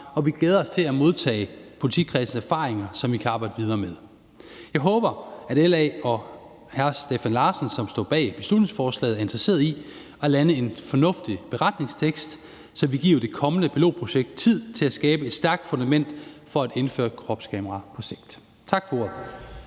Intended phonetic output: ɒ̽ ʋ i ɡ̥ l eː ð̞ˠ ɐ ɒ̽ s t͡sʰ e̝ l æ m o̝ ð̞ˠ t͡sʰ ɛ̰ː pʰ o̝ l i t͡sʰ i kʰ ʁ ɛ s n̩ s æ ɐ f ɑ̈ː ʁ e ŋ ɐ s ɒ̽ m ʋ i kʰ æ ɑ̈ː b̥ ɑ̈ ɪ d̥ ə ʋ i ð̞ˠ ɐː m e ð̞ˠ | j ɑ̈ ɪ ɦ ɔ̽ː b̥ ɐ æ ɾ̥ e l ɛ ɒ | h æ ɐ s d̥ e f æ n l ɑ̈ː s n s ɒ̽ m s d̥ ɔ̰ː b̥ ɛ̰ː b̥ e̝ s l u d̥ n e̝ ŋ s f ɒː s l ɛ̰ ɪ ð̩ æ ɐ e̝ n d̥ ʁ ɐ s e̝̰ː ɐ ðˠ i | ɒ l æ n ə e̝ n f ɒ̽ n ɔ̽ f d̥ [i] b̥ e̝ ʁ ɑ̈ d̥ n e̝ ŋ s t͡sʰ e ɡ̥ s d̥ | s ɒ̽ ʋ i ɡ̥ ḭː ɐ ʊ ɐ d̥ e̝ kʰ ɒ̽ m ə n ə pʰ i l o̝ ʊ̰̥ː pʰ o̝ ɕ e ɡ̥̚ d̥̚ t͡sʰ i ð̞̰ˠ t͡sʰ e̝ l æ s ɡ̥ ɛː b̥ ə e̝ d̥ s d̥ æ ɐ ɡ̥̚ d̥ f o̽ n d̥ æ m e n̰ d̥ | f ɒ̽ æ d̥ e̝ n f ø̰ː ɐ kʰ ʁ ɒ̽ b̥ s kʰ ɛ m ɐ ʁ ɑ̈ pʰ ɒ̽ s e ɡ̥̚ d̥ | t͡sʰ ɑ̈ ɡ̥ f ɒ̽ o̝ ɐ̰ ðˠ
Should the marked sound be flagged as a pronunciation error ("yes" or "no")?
no